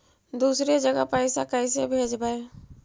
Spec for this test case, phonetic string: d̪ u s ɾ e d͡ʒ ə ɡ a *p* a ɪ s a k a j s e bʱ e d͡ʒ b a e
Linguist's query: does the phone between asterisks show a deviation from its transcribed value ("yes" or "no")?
no